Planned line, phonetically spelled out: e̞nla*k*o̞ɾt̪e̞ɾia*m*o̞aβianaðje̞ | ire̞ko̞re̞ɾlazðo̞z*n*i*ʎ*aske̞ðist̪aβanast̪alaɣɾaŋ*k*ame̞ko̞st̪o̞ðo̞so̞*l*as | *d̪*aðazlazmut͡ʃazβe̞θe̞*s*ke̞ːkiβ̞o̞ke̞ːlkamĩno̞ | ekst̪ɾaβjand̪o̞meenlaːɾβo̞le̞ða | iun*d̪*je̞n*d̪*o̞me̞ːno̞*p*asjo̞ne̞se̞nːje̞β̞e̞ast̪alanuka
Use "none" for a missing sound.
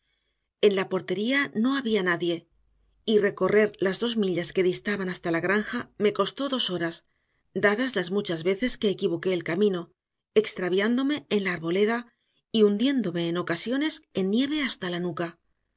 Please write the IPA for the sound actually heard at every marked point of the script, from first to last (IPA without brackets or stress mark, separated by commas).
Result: p, n, m, ʎ, x, ɾ, d̪, s, d̪, d̪, k